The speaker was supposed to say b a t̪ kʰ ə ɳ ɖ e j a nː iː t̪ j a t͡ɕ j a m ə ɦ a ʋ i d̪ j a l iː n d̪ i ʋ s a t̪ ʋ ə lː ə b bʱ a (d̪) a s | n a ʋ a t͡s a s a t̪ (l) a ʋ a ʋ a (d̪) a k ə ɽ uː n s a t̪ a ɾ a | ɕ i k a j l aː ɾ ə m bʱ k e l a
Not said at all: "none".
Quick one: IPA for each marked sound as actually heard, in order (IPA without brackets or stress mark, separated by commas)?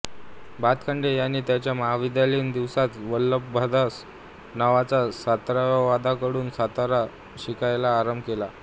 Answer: d̪, ɾ, d̪